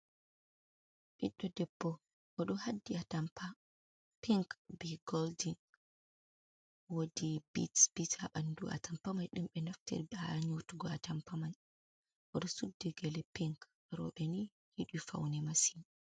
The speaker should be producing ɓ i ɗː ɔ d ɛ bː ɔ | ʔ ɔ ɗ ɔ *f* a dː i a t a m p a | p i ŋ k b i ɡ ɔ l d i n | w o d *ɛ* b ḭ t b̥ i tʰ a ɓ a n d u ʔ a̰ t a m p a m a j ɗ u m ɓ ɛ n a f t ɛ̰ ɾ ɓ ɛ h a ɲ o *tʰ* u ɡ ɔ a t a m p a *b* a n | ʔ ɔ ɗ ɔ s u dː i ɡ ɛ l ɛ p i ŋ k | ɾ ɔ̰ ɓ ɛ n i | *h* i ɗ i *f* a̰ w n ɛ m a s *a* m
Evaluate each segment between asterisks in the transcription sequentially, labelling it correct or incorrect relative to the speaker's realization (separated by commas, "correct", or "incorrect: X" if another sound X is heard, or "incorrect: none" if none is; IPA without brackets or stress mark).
incorrect: h, incorrect: i, incorrect: t, incorrect: m, correct, correct, incorrect: i